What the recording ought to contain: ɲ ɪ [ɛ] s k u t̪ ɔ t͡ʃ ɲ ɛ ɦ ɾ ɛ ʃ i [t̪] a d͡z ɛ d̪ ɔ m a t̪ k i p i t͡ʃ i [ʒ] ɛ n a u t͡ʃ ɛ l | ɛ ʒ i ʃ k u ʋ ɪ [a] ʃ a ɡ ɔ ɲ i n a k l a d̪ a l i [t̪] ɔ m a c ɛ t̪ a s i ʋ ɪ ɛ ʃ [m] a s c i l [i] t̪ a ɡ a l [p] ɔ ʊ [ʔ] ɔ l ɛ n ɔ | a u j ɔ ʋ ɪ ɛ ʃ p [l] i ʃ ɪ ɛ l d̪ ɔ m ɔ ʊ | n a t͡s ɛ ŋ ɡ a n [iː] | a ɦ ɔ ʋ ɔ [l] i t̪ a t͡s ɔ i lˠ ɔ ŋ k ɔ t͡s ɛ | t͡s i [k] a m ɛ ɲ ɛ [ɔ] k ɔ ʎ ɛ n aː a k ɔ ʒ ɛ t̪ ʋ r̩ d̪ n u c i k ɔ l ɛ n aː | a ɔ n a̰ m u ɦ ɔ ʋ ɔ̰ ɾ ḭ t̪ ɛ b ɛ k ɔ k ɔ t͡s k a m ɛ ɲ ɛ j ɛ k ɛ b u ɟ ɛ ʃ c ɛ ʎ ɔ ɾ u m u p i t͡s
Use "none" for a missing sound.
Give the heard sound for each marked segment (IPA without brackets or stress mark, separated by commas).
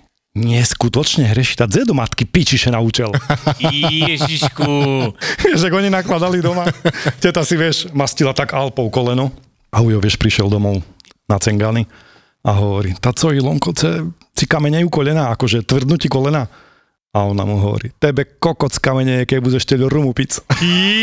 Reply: ɛ, t̪, ʃ, ɛ, d̪, m, a, p, k, ɾ, i, ɾ, k, u